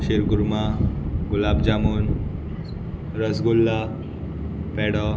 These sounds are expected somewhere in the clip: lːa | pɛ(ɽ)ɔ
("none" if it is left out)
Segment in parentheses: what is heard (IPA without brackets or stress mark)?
ɽ